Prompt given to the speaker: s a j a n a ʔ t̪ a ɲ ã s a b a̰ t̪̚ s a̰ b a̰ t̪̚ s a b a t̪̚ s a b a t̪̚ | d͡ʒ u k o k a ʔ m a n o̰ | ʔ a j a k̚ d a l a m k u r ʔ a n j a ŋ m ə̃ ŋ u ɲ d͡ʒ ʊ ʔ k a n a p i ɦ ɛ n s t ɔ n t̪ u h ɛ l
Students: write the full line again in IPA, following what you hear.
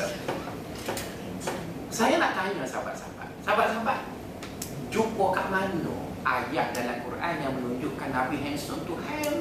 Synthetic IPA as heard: s a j a n a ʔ t̪ a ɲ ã s a b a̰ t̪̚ s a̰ b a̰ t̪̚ s a b a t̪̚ s a b a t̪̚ | d͡ʒ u k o k a ʔ m a n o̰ | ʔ a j a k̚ d a l a m k u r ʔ a n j a ŋ m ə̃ n u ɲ d͡ʒ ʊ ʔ k a n a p i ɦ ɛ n s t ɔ n t̪ u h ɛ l